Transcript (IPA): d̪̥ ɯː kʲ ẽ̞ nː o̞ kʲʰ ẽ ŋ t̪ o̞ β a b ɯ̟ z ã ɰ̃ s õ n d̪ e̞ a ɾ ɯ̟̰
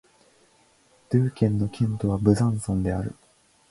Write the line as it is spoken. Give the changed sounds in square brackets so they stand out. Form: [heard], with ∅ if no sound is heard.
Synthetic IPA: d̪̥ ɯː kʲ ẽ̞ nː o̞ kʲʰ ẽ [n] t̪ o̞ β a b ɯ̟ z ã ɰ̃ s õ n d̪ e̞ a ɾ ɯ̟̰